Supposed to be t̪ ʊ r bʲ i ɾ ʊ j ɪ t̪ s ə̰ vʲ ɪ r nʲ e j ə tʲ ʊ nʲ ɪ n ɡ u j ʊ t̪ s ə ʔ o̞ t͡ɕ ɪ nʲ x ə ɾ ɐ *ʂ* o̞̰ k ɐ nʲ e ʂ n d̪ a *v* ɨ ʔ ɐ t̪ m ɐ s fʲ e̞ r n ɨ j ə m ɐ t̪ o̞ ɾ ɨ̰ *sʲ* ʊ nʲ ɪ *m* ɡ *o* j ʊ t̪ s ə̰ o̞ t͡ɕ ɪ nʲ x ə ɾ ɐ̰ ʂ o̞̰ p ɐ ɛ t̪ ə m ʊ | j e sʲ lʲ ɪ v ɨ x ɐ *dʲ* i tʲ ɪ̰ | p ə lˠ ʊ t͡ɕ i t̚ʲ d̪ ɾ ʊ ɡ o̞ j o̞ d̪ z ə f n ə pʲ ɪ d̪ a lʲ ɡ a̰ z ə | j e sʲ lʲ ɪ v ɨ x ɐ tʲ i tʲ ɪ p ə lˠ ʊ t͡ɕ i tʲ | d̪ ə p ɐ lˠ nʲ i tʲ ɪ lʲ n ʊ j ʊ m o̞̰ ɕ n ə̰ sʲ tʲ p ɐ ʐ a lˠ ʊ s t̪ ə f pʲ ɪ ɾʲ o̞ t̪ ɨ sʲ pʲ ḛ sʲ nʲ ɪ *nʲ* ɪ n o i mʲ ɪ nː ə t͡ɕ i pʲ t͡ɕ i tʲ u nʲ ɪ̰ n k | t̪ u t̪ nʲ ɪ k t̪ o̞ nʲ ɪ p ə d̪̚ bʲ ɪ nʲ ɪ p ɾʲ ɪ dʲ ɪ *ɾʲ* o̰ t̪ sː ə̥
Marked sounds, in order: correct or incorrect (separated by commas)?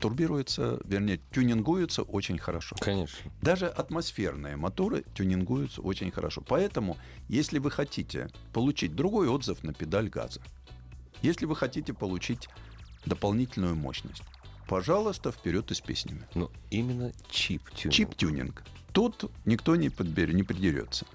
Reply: correct, incorrect, incorrect, incorrect, incorrect, incorrect, incorrect, correct